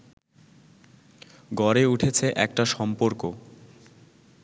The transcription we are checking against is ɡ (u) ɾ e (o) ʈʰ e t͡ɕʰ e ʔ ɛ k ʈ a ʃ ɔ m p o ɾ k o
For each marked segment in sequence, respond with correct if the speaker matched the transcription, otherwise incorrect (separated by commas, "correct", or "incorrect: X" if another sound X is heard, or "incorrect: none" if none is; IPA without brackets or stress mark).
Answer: incorrect: ɔ, incorrect: u